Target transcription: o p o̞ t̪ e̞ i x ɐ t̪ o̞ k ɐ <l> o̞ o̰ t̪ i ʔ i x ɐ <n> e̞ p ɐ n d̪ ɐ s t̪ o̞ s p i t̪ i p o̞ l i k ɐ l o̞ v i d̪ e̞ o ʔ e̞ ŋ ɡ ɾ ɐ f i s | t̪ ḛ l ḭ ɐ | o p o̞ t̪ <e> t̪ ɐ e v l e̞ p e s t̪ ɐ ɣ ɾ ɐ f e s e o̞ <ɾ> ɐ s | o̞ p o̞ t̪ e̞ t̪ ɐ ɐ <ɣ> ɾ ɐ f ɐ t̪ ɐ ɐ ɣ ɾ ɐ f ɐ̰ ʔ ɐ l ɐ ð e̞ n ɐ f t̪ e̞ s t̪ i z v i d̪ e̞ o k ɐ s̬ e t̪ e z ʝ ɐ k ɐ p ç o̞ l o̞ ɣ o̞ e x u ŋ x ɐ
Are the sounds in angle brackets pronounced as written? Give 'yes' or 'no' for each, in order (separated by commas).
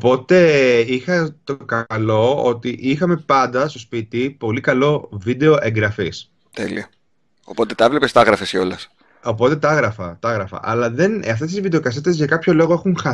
yes, no, yes, no, yes